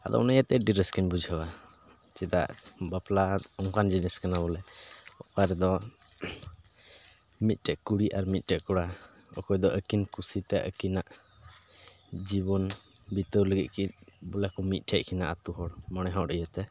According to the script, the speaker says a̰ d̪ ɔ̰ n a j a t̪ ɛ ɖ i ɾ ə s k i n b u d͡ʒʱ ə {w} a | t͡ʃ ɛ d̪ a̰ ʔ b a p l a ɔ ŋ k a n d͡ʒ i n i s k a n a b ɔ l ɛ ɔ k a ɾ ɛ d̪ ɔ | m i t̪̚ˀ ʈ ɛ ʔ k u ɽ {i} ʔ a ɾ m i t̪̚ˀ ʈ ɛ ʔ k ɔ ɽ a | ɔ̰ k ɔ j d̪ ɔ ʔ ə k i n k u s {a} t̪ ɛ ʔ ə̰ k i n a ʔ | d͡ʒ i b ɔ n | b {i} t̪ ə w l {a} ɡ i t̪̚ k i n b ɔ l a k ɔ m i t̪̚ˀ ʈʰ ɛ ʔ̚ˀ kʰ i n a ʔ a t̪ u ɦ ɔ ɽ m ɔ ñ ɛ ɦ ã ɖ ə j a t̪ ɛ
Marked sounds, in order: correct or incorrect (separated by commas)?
correct, correct, incorrect, correct, incorrect